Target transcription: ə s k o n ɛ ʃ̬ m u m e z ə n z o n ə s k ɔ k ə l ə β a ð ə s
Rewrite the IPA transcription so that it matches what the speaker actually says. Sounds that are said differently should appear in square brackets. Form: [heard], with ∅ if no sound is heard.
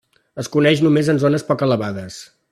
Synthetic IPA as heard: ə s k [u] n ɛ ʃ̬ [n] u m e z ə n z o n ə s [p] ɔ k ə l ə β a ð ə s